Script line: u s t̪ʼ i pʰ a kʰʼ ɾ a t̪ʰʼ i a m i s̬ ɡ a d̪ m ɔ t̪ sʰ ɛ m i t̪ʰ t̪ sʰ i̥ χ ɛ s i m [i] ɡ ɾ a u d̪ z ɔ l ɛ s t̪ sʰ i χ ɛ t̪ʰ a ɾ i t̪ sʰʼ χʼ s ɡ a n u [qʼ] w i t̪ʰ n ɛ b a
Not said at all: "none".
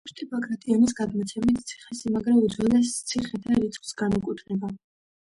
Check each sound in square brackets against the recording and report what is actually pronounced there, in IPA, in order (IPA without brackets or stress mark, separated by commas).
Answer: a, kʼ